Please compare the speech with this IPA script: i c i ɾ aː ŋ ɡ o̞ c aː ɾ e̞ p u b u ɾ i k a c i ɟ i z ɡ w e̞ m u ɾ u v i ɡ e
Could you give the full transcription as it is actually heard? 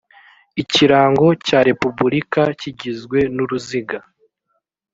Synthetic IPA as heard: i c i ɾ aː ŋ ɡ o̞ c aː ɾ e̞ p u b u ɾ i k a c i ɟ i z ɡ w e̞ n u ɾ u z i ɡ a